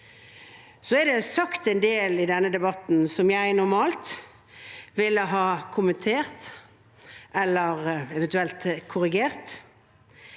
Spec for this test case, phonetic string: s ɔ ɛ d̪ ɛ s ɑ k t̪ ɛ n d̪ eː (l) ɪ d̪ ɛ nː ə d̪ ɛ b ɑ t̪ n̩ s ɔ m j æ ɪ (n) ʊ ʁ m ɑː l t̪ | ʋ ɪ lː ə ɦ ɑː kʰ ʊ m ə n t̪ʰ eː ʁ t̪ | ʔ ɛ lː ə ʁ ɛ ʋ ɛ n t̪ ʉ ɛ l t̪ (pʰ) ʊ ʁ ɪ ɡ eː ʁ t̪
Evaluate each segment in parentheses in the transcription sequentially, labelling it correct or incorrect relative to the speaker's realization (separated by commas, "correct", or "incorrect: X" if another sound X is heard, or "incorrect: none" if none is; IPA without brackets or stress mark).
correct, correct, incorrect: kʰ